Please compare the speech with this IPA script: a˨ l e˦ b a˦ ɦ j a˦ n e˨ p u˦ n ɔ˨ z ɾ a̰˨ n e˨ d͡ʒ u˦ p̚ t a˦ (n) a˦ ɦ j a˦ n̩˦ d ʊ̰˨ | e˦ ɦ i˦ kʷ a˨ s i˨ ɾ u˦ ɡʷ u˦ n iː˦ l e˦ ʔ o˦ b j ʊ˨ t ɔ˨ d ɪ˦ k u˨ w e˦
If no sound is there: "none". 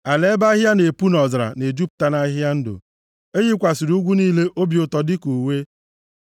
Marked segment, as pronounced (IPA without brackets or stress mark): n